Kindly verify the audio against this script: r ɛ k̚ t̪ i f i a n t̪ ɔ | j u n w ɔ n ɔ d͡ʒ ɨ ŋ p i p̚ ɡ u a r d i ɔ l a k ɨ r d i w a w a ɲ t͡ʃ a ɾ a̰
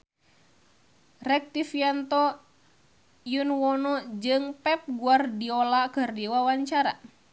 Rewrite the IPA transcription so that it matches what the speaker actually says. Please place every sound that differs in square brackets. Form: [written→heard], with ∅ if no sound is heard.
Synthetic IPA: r ɛ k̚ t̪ i f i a n t̪ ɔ | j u n w ɔ n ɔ d͡ʒ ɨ ŋ p [i→ɛ] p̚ ɡ u a r d i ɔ l a k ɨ r d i w a w a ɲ t͡ʃ a ɾ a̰